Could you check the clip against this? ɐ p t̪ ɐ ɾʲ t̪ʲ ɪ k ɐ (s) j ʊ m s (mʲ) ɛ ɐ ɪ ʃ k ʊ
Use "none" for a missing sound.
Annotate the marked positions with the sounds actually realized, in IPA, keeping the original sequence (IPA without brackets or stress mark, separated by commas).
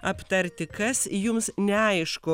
s, nʲ